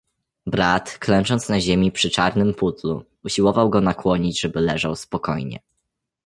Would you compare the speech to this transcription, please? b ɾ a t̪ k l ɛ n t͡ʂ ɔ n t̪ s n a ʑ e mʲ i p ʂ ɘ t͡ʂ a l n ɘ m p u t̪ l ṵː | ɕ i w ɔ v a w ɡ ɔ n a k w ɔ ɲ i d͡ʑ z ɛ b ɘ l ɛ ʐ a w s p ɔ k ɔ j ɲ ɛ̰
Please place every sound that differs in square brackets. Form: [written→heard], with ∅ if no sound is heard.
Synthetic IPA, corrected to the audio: b ɾ a t̪ k l ɛ n t͡ʂ ɔ n t̪ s n a ʑ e mʲ i p ʂ ɘ t͡ʂ a [l→ɾ] n ɘ m p u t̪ l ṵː | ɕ i w ɔ v a w ɡ ɔ n a k w ɔ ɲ i d͡ʑ [z→ʐ] ɛ b ɘ l ɛ ʐ a w s p ɔ k ɔ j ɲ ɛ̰